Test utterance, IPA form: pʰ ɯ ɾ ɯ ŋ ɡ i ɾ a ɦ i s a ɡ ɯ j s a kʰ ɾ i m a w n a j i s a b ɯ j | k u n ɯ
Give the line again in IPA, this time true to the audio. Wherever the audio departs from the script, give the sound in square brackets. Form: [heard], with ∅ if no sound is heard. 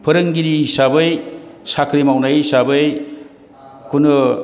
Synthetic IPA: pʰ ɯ ɾ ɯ ŋ ɡ i ɾ [i] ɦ i s a [b] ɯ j s a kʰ ɾ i m a w n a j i s a b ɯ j | k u n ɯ